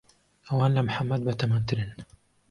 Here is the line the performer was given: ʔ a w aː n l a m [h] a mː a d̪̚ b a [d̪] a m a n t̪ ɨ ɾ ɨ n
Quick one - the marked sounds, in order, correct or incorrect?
incorrect, incorrect

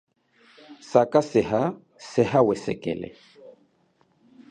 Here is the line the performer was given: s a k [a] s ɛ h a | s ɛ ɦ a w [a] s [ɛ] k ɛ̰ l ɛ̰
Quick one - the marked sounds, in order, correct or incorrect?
correct, incorrect, correct

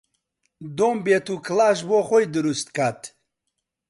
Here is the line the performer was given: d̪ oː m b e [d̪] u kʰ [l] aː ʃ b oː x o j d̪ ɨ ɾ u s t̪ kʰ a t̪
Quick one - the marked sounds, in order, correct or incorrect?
incorrect, correct

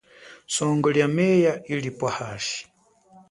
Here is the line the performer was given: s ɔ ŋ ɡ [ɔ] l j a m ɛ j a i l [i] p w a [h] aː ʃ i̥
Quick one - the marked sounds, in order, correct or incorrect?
correct, correct, correct

